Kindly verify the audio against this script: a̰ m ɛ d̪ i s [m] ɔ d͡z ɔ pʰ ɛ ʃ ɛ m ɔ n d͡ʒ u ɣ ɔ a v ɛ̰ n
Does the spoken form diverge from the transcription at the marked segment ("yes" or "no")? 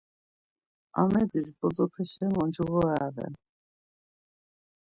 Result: yes